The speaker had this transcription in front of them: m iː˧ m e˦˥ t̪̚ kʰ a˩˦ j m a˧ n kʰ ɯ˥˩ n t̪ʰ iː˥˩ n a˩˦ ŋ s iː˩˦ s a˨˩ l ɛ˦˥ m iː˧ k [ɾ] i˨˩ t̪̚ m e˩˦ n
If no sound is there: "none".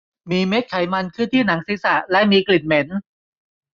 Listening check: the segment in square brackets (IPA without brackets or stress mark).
l